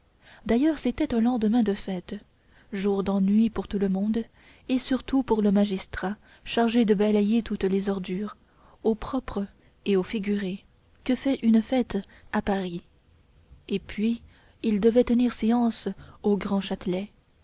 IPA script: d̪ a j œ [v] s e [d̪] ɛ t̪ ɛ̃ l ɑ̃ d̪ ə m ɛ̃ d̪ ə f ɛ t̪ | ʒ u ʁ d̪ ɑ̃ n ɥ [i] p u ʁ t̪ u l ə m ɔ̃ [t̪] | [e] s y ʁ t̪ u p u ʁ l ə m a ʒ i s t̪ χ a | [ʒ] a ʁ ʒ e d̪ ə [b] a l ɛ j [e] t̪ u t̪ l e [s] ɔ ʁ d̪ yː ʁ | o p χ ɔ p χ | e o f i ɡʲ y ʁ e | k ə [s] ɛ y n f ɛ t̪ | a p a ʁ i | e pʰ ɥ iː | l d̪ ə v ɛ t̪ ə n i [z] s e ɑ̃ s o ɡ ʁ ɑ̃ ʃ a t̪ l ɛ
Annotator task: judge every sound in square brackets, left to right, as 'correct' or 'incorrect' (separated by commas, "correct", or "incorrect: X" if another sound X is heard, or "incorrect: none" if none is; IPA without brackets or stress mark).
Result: incorrect: ʁ, incorrect: t̪, correct, incorrect: d̪, correct, incorrect: ʃ, correct, correct, incorrect: z, incorrect: f, incorrect: ʁ